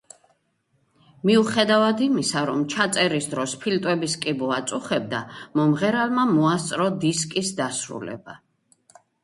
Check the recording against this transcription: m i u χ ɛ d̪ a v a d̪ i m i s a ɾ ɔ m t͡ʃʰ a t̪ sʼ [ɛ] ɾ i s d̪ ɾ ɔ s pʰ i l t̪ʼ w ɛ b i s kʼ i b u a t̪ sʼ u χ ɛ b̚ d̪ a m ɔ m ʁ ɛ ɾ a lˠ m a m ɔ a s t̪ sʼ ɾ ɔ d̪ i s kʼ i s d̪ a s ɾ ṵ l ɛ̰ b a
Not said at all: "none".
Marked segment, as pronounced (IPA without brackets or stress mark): ɛ